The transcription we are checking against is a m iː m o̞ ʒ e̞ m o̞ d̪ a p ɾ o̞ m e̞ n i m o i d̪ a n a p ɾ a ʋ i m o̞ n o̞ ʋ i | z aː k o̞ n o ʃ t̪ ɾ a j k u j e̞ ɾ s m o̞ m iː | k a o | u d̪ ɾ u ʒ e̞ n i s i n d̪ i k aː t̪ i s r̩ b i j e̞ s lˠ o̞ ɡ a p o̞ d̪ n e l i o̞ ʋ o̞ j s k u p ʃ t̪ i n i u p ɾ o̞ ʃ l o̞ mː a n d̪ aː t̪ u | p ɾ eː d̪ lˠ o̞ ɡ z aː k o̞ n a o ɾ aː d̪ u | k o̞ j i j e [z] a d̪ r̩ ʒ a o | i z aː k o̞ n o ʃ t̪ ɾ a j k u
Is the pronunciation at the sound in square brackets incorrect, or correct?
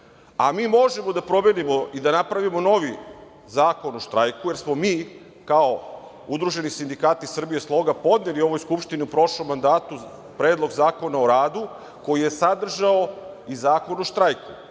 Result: incorrect